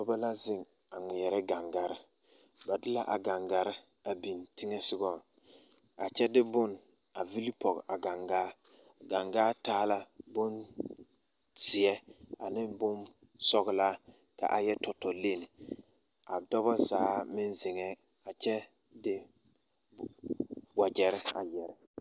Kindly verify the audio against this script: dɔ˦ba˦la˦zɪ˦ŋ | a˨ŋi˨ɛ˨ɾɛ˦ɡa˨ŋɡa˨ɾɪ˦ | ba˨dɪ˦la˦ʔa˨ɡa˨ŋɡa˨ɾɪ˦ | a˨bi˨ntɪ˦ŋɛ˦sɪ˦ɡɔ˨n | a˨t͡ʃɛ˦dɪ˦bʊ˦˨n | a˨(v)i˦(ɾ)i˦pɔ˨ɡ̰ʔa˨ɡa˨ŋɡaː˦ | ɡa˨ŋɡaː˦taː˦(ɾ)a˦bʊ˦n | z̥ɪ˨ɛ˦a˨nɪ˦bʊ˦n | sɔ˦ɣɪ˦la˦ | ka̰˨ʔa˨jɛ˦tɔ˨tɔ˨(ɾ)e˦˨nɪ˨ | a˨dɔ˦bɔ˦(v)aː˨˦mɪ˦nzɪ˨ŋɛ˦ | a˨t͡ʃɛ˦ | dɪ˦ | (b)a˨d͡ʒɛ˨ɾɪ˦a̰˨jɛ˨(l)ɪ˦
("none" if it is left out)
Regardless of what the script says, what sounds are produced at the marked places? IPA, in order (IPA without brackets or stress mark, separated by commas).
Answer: v, l, l, l, z, w, ɾ